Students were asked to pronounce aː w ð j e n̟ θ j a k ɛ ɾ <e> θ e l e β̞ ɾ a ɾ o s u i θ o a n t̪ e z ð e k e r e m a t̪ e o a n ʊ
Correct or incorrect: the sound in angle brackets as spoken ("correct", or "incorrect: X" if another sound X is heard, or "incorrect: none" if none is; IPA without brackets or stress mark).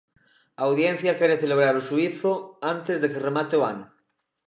correct